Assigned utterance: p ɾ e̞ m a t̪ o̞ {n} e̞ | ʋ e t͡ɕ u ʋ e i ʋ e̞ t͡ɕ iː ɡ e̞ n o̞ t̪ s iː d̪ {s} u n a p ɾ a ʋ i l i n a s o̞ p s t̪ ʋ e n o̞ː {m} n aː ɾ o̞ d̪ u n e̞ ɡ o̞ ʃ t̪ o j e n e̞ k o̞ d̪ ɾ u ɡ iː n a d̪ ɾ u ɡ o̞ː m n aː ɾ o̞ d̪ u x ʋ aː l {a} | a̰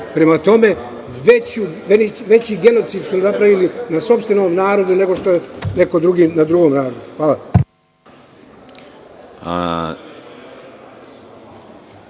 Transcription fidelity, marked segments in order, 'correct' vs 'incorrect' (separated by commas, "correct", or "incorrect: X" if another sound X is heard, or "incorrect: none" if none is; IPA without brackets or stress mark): incorrect: m, correct, correct, correct